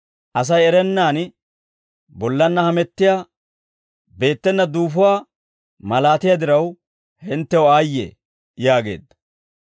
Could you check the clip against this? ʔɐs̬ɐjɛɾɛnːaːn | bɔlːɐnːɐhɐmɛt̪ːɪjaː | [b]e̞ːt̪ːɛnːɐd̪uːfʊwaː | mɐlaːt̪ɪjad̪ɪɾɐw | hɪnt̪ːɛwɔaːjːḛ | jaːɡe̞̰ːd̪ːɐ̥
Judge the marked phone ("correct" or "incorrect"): correct